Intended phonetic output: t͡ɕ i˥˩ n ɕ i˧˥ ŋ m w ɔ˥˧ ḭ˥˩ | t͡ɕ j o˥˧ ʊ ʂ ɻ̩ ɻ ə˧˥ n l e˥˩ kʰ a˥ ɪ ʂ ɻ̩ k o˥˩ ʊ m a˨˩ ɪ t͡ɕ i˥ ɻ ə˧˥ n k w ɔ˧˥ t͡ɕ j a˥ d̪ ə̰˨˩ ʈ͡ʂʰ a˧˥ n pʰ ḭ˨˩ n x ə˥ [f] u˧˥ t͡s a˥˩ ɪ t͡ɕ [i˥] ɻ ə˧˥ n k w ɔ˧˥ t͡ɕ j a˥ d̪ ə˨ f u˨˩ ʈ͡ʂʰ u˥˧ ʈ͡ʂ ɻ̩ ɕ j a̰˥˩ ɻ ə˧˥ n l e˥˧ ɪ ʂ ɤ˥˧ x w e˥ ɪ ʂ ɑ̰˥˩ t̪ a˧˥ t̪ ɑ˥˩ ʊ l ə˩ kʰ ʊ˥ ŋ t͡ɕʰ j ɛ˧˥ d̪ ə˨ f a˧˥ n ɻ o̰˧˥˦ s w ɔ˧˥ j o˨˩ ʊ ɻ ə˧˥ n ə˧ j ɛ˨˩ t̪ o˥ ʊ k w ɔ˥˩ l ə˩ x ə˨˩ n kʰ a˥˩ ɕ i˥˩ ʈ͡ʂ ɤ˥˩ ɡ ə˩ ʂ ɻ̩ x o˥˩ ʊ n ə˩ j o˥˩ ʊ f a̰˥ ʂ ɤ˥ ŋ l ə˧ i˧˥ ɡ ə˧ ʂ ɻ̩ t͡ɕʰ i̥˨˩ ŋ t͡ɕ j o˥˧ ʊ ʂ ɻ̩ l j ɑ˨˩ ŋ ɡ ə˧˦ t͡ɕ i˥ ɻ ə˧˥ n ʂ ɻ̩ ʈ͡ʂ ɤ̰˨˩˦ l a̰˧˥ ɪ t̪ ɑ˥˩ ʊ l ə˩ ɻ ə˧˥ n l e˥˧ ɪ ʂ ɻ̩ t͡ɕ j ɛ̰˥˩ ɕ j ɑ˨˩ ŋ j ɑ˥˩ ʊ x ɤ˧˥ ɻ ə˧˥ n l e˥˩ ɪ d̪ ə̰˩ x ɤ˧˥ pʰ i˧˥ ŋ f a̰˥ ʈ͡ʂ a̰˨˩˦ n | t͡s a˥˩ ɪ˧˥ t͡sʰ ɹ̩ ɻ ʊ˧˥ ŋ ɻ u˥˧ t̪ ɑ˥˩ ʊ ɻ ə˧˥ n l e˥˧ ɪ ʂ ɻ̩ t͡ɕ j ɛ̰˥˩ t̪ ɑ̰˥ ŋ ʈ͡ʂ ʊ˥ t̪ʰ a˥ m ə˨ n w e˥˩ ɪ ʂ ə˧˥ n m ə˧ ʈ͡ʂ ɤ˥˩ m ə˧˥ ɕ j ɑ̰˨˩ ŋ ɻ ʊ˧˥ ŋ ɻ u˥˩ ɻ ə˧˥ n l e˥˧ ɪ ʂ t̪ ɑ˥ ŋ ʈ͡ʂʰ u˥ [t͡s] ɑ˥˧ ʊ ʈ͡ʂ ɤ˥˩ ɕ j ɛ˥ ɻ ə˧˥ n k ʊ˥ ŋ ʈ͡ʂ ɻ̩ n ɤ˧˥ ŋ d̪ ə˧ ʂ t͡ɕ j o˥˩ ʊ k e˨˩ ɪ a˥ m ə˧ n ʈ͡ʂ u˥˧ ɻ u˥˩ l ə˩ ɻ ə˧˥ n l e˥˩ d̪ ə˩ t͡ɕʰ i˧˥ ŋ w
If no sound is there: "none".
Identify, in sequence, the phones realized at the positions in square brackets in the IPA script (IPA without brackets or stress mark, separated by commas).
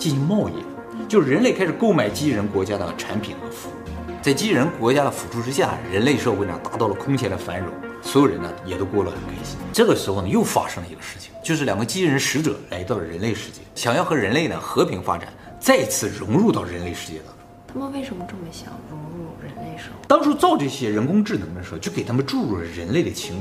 f, i˥, t͡s